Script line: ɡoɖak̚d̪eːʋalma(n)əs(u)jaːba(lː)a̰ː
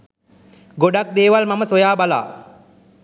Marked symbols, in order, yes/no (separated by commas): no, no, no